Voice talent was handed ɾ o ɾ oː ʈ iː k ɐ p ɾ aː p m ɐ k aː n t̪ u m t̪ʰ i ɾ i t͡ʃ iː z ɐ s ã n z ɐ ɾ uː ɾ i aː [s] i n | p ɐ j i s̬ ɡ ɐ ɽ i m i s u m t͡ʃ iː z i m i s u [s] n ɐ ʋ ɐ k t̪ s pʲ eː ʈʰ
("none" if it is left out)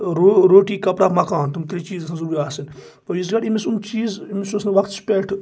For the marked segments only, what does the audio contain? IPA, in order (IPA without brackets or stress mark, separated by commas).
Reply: s, s